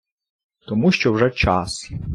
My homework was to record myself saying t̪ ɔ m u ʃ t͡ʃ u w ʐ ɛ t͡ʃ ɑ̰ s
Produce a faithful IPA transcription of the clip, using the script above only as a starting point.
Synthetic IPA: t̪ ɔ m u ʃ t͡ʃ ɔ w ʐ ɛ t͡ʃ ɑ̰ s

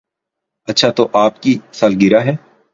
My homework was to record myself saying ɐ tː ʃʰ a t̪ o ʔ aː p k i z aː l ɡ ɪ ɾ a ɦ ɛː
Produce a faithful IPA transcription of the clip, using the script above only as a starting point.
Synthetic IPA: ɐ tː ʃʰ a t̪ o ʔ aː p k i s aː l ɡ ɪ ɾ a ɦ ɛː

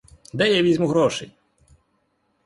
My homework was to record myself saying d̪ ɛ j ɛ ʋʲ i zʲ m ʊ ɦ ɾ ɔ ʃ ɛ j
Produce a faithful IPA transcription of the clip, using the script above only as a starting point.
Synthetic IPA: d̪ ɛ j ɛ ʋʲ i zʲ m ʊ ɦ ɾ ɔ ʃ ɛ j

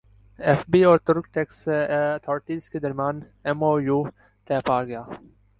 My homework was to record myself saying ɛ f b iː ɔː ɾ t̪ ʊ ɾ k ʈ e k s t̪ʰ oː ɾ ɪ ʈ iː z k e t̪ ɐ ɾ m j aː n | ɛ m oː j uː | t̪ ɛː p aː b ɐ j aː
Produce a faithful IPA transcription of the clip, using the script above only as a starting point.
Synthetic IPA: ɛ f b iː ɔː ɾ t̪ ʊ ɾ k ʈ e k s t̪ʰ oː ɾ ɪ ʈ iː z k e d̪ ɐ ɾ m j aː n | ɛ m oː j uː | t̪ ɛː p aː ɡ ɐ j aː

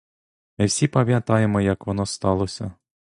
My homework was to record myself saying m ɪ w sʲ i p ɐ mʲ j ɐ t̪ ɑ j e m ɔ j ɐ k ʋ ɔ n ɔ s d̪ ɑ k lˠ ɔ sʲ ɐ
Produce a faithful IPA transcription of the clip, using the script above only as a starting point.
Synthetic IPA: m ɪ w sʲ i p ɐ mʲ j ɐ t̪ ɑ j e m ɔ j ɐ k ʋ ɔ n ɔ s t̪ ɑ lˠ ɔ sʲ ɐ

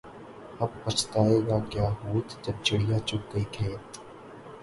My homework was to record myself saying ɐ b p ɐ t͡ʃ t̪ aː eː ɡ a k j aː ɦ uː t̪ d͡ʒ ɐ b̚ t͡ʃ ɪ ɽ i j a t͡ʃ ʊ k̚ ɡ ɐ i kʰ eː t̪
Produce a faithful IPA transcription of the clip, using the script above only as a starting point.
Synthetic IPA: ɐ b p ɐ t͡ʃ t̪ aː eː ɡ a k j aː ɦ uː t̪ d͡ʒ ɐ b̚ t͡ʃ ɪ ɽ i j a t͡ʃ ʊ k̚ ɡ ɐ i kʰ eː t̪

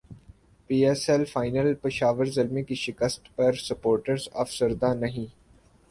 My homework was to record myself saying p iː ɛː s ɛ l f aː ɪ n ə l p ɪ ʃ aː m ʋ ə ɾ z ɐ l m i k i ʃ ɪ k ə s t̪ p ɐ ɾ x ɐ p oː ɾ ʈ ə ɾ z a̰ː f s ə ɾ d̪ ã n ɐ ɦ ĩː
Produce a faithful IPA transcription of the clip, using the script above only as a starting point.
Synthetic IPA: p iː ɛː s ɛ l f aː ɪ n ə l p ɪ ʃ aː ʋ ə ɾ z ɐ l m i k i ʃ ɪ k ə s t̪ p ɐ ɾ s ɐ p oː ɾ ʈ ə ɾ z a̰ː f s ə ɾ d̪ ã n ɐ ɦ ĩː

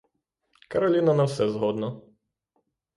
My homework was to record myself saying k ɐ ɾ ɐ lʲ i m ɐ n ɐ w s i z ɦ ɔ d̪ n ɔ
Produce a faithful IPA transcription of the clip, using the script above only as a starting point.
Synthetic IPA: k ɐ ɾ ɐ lʲ i n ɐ n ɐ w s ɛ z ɦ ɔ d̪ n ɔ

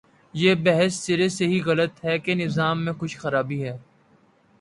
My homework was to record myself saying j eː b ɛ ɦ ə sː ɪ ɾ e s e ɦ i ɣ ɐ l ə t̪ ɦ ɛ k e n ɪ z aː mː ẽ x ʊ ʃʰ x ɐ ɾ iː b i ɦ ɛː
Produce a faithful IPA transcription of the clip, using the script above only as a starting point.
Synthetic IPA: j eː b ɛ ɦ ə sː ɪ ɾ e s e ɦ i ɣ ɐ l ə t̪ ɦ ɛ k e n ɪ z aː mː ẽ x ʊ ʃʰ x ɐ ɾ aː b i ɦ ɛː

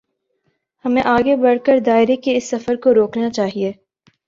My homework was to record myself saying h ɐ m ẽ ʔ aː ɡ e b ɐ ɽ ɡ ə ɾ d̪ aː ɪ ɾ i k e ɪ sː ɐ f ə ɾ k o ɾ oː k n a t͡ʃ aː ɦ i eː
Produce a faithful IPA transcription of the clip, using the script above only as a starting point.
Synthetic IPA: h ɐ m ẽ ʔ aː ɡ e b ɐ ɽ k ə ɾ d̪ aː ɪ ɾ e k e ɪ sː ɐ f ə ɾ k o ɾ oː k n a t͡ʃ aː ɦ i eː

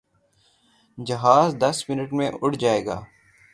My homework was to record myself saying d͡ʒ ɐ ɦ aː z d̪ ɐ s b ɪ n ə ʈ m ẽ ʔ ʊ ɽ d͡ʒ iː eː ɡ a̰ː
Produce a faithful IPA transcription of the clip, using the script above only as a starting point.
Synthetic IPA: d͡ʒ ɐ ɦ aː z d̪ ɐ s m ɪ n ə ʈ m ẽ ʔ ʊ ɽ d͡ʒ aː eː ɡ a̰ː

